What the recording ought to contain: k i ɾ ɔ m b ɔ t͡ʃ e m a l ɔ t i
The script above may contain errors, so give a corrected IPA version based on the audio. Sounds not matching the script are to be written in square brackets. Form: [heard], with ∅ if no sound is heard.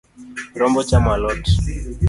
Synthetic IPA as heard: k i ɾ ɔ m b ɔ t͡ʃ [a] m a l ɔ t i